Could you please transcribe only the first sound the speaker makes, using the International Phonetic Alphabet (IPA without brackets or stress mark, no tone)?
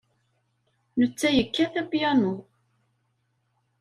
n